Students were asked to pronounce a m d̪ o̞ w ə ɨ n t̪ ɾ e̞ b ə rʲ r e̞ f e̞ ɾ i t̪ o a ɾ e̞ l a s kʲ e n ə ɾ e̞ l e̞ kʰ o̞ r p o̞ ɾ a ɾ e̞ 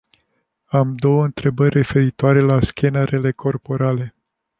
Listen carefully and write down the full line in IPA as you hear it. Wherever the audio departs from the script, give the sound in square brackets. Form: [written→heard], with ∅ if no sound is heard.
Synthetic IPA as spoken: a m d̪ o̞ w ə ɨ n t̪ ɾ e̞ b ə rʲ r e̞ f e̞ ɾ i t̪ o a ɾ e̞ l a s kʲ e n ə ɾ e̞ l e̞ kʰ o̞ r p o̞ ɾ a [ɾ→l] e̞